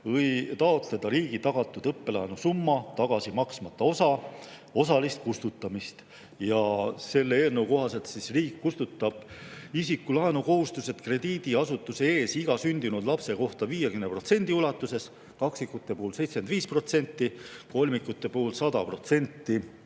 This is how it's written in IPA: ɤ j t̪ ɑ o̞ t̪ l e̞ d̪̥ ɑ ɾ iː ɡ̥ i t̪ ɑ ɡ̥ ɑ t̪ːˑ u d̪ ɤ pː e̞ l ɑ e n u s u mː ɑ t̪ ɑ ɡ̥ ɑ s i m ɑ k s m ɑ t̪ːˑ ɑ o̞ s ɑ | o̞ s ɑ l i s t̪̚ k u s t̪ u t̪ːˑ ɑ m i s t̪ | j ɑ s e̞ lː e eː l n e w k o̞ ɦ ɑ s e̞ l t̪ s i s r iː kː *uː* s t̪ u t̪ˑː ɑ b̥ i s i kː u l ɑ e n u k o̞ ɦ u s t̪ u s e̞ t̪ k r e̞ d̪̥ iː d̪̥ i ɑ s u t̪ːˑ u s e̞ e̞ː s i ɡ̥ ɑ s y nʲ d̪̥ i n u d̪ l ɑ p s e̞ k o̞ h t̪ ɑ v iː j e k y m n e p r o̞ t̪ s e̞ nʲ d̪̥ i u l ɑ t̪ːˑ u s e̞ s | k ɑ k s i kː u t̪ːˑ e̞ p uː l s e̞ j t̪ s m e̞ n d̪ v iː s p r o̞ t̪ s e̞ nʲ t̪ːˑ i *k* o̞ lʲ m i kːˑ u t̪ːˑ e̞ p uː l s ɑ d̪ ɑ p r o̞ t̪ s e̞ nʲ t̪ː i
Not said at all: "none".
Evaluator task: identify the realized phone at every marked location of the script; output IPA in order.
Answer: u, k

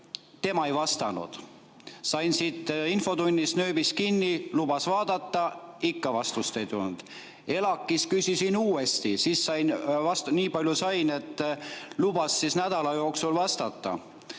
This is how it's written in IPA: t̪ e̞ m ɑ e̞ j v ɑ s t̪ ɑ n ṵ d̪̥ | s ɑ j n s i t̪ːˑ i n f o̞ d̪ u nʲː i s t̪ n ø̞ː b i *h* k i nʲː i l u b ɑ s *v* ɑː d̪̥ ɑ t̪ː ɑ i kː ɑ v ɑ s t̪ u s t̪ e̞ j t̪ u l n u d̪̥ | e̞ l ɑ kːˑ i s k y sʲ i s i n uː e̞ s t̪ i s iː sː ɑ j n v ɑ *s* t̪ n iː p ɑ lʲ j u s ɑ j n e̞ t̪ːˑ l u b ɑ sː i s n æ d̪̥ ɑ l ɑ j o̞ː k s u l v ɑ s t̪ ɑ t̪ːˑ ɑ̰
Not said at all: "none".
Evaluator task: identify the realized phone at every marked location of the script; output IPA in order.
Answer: s, v, s

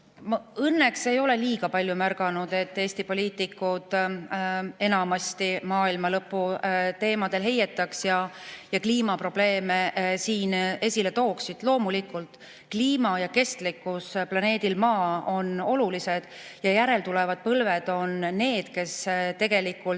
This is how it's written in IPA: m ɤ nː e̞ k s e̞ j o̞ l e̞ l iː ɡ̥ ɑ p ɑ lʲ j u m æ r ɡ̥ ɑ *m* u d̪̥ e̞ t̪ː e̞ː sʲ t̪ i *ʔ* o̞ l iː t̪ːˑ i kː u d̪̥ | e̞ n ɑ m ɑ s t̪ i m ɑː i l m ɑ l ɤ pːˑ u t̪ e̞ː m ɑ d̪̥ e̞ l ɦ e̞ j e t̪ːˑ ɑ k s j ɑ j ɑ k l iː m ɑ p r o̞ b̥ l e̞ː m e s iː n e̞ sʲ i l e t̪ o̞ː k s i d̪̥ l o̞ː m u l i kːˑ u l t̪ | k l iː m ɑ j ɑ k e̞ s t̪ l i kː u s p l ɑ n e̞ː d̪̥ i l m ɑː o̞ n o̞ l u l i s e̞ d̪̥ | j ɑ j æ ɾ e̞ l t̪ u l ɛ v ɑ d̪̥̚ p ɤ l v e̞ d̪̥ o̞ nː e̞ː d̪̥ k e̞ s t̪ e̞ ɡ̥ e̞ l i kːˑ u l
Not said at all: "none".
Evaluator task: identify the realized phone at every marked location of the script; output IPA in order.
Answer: n, p

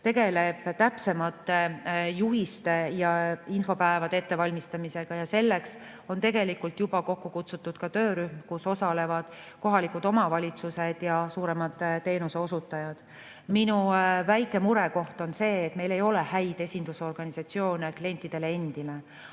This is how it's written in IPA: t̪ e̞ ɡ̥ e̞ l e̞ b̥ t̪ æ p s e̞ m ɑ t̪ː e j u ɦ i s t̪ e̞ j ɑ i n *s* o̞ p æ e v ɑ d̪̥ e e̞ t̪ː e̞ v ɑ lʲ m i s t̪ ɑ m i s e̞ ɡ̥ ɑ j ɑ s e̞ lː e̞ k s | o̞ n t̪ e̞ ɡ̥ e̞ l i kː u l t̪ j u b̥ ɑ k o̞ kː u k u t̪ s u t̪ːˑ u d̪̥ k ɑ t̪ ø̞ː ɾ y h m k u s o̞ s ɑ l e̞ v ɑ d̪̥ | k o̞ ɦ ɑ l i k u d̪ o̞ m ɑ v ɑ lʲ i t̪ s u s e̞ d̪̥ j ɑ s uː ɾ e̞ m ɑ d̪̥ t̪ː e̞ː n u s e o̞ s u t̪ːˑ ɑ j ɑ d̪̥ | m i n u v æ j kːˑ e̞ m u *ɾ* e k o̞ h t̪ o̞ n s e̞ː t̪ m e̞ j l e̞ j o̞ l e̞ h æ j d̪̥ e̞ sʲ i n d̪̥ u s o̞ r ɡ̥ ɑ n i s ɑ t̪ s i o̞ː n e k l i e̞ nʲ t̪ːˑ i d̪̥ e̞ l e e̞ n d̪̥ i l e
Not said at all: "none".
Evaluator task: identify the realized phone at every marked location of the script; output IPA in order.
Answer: f, ɾ

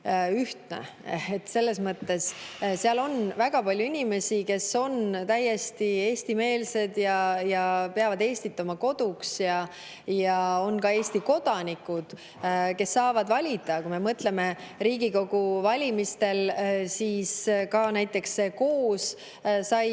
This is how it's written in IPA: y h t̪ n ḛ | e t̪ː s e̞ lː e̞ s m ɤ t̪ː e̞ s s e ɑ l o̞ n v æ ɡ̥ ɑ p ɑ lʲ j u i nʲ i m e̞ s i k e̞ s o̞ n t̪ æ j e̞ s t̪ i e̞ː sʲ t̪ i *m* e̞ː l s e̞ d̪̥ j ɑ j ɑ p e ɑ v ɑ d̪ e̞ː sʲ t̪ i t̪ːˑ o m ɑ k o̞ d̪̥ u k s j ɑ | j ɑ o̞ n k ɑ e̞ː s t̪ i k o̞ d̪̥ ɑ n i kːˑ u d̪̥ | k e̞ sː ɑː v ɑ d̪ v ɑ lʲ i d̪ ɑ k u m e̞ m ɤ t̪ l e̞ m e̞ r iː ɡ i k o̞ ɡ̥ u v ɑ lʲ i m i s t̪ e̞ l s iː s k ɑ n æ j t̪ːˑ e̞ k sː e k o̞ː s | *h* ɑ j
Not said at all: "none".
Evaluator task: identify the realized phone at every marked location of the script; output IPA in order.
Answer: m, s

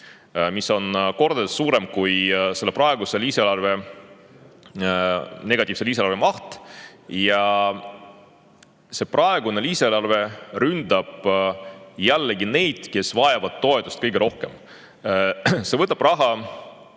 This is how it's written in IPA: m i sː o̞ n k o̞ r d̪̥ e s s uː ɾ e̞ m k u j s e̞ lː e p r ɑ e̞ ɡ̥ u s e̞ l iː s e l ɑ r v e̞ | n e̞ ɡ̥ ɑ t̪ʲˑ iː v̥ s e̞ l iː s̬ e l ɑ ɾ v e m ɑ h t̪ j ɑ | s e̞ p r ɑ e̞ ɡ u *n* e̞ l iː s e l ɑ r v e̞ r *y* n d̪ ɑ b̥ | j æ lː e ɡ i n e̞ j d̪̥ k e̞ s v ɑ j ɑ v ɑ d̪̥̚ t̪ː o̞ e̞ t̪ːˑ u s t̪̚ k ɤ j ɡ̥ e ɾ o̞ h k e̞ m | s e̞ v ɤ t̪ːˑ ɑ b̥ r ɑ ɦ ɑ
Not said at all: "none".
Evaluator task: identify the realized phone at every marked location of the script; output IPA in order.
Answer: n, y

